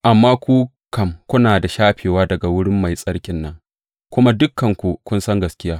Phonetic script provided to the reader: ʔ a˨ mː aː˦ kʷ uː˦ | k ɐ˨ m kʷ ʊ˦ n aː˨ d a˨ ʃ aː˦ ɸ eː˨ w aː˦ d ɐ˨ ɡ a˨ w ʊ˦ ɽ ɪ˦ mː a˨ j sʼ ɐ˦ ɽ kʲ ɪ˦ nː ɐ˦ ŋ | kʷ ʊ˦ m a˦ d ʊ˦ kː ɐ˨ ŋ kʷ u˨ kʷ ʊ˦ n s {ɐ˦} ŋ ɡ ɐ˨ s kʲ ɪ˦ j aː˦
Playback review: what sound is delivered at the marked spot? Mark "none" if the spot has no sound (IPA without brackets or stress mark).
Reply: ɐ˦